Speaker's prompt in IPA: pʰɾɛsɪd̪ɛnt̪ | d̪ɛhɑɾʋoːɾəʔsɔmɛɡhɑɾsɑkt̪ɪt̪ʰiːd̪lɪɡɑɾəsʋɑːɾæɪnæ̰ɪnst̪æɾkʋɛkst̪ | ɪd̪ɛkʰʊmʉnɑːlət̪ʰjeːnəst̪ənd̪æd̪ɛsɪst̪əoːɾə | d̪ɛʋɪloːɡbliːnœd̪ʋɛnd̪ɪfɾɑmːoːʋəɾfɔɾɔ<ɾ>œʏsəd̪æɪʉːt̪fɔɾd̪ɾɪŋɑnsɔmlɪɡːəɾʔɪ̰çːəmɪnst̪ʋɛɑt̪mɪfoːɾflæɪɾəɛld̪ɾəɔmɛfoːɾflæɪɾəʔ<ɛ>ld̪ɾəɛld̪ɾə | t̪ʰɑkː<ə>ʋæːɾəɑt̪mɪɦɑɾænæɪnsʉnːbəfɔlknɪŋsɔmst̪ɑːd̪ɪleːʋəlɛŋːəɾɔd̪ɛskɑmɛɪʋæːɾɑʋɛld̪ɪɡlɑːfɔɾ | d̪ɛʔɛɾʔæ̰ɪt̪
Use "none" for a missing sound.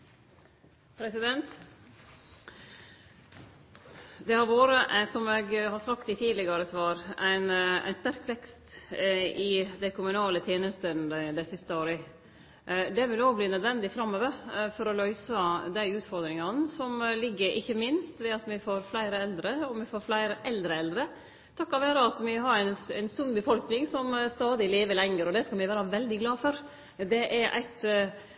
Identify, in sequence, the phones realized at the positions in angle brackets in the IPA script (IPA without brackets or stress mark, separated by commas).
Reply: l, ɛ, ɑ